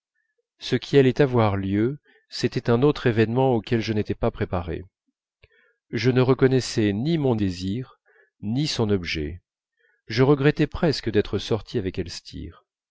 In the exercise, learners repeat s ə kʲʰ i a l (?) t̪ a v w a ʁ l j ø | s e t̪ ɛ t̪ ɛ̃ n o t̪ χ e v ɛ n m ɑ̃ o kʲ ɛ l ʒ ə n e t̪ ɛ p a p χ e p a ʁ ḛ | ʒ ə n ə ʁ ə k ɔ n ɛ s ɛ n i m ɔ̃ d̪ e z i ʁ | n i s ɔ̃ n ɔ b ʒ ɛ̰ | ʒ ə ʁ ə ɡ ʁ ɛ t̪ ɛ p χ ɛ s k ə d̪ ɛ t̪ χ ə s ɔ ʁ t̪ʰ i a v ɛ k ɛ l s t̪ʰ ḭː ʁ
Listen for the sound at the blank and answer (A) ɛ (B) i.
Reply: A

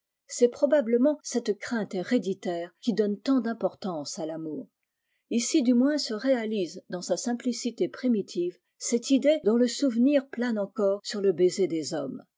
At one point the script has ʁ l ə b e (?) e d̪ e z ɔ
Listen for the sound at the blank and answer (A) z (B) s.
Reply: A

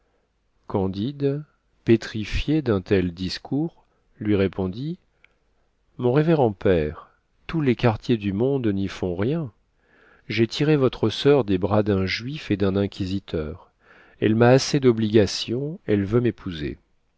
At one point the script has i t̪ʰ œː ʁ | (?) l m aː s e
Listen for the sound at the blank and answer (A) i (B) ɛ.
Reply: B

